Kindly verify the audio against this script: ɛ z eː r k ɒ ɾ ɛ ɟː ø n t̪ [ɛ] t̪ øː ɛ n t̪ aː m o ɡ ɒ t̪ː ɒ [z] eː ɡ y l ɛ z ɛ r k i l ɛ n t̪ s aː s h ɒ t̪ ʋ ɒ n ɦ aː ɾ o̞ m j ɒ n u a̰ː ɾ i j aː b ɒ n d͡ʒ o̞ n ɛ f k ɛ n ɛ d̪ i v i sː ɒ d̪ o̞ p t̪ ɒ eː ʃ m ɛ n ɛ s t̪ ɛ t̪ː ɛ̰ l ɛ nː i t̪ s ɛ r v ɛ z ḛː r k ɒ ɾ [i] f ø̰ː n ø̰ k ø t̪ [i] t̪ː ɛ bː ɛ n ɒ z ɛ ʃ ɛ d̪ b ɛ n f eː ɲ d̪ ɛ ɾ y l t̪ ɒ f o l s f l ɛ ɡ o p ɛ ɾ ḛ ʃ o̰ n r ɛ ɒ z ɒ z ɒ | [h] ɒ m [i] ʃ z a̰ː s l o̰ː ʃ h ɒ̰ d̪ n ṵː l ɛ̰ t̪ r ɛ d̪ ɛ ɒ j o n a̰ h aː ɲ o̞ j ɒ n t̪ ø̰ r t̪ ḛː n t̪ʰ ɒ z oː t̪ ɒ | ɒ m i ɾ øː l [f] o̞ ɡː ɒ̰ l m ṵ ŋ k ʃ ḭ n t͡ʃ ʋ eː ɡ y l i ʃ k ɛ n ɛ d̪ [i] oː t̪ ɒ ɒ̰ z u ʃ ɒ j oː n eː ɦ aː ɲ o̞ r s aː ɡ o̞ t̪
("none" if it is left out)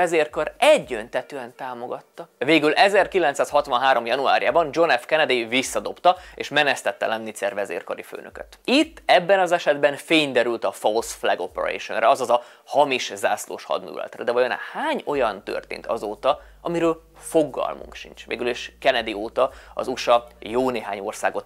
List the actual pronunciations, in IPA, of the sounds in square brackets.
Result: ɛ, v, i, i, h, i, f, i

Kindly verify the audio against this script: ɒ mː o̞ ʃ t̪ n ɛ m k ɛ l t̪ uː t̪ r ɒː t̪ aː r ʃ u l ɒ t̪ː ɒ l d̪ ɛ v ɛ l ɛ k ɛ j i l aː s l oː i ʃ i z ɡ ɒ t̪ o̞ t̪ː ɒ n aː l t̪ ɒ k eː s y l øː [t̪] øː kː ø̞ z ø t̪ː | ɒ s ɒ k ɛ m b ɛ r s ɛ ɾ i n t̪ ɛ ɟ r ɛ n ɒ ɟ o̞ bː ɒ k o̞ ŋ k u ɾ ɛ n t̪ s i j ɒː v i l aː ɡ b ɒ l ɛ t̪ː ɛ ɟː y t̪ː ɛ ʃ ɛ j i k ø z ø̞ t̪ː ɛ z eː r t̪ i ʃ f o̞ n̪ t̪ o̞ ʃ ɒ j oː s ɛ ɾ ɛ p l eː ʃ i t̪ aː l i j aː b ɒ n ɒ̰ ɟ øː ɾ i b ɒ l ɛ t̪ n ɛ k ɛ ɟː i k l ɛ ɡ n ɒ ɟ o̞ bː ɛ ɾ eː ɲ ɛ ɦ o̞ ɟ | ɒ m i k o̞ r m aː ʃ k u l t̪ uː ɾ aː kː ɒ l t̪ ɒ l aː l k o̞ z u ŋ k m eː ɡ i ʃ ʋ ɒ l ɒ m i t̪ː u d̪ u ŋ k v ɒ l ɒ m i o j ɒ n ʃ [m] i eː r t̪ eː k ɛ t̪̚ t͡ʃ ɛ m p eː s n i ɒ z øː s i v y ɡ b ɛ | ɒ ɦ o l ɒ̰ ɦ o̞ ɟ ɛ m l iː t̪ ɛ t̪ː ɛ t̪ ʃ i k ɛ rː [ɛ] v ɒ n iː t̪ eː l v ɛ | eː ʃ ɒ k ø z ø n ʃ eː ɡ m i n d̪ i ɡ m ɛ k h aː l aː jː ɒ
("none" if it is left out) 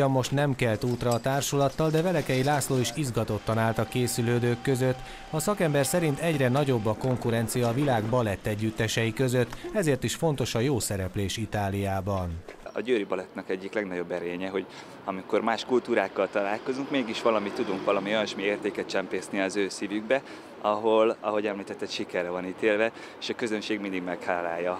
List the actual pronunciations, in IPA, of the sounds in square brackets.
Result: d̪, m, ɛ

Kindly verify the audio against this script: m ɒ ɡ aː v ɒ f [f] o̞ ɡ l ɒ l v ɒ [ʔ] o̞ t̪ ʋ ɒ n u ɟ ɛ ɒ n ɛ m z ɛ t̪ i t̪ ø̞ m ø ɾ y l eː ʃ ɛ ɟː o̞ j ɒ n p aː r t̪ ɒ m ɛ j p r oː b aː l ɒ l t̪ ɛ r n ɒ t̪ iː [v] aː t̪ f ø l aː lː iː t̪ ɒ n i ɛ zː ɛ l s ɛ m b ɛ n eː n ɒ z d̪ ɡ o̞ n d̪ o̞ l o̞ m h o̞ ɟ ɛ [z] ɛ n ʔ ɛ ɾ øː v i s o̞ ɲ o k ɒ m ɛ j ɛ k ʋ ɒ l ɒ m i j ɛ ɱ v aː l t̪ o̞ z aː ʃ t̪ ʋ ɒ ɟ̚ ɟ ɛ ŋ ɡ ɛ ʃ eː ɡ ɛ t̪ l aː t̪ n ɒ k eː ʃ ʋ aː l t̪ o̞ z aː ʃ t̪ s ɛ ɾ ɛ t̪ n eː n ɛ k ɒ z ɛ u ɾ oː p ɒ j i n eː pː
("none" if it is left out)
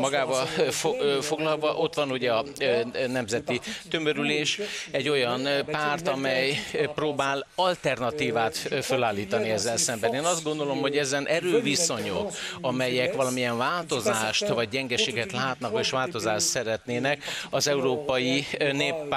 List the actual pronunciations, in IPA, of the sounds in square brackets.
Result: f, ʔ, v, z

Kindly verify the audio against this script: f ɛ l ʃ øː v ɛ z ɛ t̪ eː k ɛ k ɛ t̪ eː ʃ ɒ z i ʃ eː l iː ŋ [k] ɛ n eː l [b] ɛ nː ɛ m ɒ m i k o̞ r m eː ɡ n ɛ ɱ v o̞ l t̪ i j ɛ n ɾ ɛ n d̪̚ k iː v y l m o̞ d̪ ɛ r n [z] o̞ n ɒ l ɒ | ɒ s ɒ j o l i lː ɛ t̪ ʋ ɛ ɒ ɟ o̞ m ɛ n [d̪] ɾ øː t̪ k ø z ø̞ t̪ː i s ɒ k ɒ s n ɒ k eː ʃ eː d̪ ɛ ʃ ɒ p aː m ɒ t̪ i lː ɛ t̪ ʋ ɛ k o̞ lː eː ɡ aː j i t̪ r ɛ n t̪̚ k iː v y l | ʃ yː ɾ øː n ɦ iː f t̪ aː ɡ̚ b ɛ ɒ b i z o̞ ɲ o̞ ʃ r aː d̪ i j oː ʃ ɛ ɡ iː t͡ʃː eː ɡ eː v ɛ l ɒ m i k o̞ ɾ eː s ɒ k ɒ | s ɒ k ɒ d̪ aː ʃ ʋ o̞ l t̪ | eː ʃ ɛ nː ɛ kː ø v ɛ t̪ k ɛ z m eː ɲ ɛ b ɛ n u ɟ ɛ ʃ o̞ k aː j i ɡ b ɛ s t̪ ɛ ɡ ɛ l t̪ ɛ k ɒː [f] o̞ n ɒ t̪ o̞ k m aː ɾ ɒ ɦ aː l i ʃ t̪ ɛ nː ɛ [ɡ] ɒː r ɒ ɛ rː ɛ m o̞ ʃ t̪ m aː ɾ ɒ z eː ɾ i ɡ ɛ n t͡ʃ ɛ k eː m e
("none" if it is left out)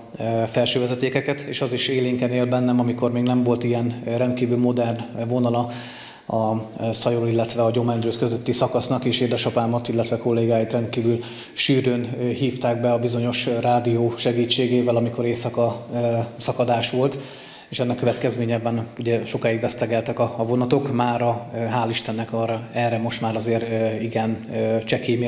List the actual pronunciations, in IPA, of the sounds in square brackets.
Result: k, b, v, d̪, v, k

